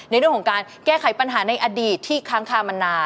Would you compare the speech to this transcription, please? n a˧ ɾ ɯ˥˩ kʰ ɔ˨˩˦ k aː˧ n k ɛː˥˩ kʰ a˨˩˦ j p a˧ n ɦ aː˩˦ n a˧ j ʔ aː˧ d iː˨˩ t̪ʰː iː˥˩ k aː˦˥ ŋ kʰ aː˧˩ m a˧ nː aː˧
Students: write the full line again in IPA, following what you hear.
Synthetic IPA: n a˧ ɾ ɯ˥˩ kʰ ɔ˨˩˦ k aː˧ n k ɛː˥˩ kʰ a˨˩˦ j p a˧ n ɦ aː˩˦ n a˧ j ʔ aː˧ d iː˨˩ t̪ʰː iː˥˩ kʰ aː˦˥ ŋ kʰ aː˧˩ m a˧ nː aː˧